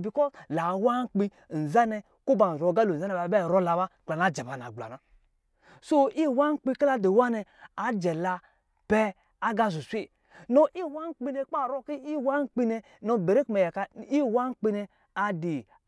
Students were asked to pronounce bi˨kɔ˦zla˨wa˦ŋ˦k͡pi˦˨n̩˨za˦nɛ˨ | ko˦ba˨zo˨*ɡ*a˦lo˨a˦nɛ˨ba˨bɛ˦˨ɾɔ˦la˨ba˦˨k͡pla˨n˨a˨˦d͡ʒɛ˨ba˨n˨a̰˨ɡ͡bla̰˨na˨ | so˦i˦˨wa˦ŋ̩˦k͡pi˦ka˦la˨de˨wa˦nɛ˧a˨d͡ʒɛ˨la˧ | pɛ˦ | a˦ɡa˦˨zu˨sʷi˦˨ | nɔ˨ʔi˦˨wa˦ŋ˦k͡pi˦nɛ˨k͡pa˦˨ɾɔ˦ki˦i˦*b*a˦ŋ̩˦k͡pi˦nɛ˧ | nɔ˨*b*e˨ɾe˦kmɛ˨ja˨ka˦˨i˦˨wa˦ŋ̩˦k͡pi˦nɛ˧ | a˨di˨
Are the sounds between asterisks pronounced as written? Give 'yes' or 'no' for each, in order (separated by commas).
yes, no, yes